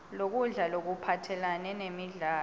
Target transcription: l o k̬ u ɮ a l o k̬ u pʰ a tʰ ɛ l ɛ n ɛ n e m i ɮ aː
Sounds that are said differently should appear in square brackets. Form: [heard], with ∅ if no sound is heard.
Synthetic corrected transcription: l o k̬ u ɮ a l o k̬ u pʰ a tʰ ɛ l [a] n ɛ n e m i ɮ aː